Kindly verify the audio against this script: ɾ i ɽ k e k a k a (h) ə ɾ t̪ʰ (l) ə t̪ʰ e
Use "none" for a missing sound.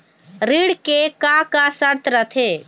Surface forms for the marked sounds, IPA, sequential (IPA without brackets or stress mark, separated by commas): s, ɾ